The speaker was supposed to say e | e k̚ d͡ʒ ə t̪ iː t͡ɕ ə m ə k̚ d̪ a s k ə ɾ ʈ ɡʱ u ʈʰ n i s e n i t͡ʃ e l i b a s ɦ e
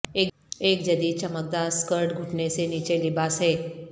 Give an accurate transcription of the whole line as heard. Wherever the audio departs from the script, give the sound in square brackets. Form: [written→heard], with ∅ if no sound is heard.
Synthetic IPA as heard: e | e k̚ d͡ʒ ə [t̪→d̪] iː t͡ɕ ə m ə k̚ d̪ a s k ə ɾ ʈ ɡʱ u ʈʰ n [i→e] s e n i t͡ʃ e l i b a s ɦ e